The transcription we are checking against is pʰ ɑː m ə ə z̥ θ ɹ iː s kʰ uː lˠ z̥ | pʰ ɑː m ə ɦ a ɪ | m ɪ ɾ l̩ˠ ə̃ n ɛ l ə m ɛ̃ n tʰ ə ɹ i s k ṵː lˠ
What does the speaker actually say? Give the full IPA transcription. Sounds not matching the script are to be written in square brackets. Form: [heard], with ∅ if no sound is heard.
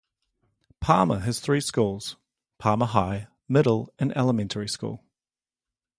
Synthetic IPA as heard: pʰ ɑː m ə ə z̥ θ ɹ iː s [k] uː lˠ z̥ | pʰ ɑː m ə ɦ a ɪ | m ɪ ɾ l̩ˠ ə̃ n ɛ l ə m ɛ̃ n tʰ ə ɹ i s k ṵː lˠ

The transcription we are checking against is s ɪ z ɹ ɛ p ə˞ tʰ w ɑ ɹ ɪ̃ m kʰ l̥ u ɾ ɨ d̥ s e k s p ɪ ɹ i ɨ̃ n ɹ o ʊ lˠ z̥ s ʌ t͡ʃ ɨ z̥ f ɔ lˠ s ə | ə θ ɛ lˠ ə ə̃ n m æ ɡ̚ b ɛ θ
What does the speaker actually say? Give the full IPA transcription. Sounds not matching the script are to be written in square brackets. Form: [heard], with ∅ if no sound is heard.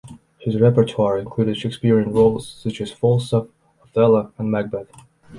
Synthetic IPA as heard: [h] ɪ z ɹ ɛ p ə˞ tʰ w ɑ ɹ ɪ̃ [n] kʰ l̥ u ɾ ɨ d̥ [ʃ] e k s p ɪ ɹ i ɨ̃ n ɹ o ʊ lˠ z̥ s ʌ t͡ʃ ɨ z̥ f ɔ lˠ s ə | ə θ ɛ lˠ ə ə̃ n m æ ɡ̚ b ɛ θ

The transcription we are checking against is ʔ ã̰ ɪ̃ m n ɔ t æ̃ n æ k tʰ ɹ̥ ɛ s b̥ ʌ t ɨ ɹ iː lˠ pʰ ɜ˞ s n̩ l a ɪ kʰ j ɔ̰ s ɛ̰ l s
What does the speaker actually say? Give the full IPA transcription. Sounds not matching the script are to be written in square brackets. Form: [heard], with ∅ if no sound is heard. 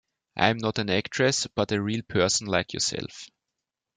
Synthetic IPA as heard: ʔ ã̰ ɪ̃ m n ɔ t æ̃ n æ k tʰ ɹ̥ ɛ s b̥ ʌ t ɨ ɹ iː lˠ pʰ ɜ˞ s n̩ l a ɪ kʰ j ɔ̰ s ɛ̰ l [f]

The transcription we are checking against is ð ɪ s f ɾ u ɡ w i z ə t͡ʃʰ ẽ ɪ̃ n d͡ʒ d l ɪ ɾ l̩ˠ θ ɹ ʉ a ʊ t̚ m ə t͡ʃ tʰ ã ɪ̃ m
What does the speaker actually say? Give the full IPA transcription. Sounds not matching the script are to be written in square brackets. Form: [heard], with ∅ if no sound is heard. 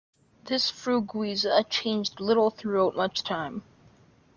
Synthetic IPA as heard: ð ɪ s f [ɹ] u ɡ w i z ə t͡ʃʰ ẽ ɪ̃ n d͡ʒ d l ɪ ɾ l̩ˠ θ ɹ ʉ a ʊ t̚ m [ʌ] t͡ʃ tʰ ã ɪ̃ m

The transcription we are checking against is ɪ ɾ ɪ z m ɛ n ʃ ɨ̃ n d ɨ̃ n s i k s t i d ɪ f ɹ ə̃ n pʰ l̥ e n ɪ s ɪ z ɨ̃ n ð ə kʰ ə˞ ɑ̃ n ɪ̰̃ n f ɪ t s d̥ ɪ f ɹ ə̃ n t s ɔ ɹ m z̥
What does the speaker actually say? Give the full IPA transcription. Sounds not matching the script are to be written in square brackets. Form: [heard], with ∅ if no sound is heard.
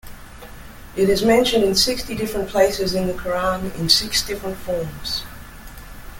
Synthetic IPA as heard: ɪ ɾ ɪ z m [ɛ̃] n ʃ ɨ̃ n d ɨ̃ n s [ɪ] k s t i d ɪ f ɹ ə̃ n pʰ l̥ e [∅] ɪ s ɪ z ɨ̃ n ð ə kʰ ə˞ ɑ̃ n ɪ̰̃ n [s] ɪ [k] s d̥ ɪ f ɹ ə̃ n t [f] ɔ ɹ m z̥

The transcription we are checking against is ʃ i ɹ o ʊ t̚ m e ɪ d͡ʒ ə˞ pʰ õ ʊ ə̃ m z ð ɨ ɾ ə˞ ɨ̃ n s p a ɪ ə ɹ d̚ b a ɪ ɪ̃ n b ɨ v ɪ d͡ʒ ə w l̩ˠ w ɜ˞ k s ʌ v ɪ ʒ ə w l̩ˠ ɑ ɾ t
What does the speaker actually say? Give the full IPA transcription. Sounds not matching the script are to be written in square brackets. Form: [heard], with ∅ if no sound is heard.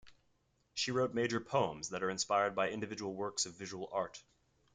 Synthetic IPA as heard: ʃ i ɹ o ʊ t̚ m e ɪ d͡ʒ ə˞ pʰ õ ʊ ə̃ m z ð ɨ ɾ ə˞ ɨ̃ n s p a ɪ ə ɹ d̚ b a ɪ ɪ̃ n [d] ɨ v ɪ d͡ʒ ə w l̩ˠ w ɜ˞ k s ʌ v ɪ ʒ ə w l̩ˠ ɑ [ɹ] t

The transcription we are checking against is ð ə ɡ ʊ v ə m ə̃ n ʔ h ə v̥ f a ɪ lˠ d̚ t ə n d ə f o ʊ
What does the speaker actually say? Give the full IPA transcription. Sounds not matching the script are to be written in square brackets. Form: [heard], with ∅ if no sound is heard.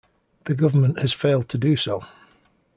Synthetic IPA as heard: ð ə ɡ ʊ v ə m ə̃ n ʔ h ə [z̥] f [e] ɪ lˠ d̚ [tʰ] ə [∅] d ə [s] o ʊ

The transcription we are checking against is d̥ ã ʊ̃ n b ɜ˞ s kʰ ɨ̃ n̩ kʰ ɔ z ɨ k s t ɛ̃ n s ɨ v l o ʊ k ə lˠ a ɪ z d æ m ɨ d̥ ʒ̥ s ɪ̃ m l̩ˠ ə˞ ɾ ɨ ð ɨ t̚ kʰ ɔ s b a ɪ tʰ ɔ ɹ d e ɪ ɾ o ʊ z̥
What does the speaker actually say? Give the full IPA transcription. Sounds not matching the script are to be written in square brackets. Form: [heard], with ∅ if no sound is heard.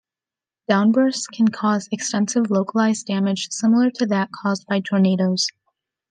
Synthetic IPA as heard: d̥ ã ʊ̃ n b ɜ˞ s kʰ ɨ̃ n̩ kʰ ɔ z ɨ k s t ɛ̃ n s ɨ v l o ʊ k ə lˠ a ɪ z d æ m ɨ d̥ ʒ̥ s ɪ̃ m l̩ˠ ə˞ ɾ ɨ ð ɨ t̚ kʰ ɔ [z] b a ɪ tʰ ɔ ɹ [n] e ɪ ɾ o ʊ z̥

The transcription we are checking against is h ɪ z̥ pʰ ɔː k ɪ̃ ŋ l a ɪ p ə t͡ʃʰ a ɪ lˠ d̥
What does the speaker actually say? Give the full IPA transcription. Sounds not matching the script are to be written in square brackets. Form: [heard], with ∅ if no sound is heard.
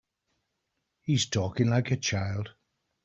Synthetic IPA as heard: h [i] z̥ [tʰ] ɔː k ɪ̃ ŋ l a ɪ [k] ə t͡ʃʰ a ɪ lˠ d̥

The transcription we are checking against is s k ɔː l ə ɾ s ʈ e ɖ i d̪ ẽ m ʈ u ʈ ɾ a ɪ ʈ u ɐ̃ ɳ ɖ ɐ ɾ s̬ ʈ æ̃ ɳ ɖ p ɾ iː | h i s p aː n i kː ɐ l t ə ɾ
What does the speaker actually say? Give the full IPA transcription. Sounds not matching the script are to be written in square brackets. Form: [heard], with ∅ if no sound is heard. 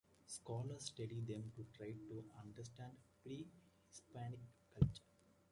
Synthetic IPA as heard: s k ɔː l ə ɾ s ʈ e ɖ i d̪ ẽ m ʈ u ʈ ɾ a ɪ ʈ u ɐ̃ ɳ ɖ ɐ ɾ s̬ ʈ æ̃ ɳ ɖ p ɾ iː | h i s p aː n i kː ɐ l [t͡ʃ] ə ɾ

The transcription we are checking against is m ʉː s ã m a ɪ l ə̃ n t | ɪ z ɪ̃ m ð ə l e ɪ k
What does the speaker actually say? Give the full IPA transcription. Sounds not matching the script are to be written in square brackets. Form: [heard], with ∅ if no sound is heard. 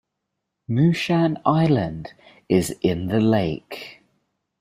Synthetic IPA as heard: m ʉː [ʃ] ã [n] a ɪ l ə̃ n [d] | ɪ z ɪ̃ [n] ð ə l e ɪ k

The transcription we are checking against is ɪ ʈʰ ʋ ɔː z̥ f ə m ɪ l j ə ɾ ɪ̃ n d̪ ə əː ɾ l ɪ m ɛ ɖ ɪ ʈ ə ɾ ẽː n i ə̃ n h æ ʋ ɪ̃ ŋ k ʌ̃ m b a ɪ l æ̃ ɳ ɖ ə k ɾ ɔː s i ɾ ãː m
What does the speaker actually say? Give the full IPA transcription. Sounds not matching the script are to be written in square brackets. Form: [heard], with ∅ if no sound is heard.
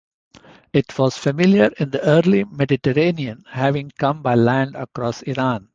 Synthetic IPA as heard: ɪ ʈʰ ʋ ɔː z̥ f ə m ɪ l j ə ɾ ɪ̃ n d̪ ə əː ɾ l [i] m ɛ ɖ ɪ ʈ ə ɾ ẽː n i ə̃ n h æ ʋ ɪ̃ ŋ k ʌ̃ m b a ɪ l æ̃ ɳ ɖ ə k ɾ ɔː s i ɾ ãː [n]

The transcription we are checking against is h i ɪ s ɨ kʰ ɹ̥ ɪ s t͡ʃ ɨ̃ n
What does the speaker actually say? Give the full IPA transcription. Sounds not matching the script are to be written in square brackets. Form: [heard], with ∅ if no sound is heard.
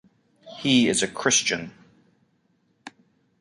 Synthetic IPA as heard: h i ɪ [z] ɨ kʰ ɹ̥ ɪ s t͡ʃ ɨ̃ n

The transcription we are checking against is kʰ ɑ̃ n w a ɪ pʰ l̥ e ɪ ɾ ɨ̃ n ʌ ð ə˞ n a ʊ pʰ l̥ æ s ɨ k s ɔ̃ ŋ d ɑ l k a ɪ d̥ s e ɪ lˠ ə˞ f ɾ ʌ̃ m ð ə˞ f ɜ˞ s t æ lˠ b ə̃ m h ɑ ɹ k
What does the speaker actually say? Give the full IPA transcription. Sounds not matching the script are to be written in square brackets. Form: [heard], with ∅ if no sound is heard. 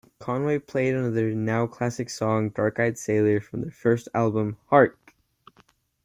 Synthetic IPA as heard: kʰ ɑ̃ n w [e] ɪ pʰ l̥ e ɪ ɾ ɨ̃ n ʌ ð ə˞ n a ʊ [kʰ] l̥ æ s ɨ k s ɔ̃ ŋ d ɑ [ɹ] k a ɪ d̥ s e ɪ lˠ ə˞ f [ɹ] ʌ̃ m ð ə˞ f ɜ˞ s t æ lˠ b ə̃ m h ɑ ɹ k

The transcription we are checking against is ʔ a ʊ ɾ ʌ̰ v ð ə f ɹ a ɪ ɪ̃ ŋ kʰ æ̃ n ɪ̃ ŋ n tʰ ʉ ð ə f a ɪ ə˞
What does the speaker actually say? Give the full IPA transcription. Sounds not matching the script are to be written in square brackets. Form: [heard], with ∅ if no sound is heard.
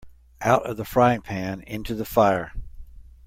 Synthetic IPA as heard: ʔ a ʊ ɾ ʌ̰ v ð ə f ɹ a ɪ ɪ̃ ŋ [pʰ] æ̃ n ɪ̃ [∅] n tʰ ʉ ð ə f a ɪ ə˞

